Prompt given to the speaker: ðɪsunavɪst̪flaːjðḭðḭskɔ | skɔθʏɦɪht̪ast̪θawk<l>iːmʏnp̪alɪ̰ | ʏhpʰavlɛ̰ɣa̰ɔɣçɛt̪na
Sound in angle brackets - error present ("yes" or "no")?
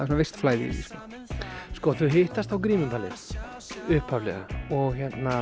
yes